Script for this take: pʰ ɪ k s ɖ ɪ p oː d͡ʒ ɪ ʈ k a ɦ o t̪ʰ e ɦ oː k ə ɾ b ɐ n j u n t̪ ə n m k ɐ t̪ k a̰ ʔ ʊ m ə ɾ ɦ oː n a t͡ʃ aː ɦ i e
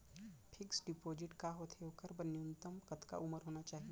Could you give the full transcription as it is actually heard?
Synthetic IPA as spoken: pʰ ɪ k s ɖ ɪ p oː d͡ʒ ɪ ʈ k a ɦ o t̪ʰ e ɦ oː k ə ɾ b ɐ n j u n t̪ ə m k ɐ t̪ k a̰ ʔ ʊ m ə ɾ ɦ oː n a t͡ʃ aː ɦ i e